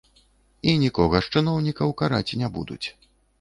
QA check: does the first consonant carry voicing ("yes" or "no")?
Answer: yes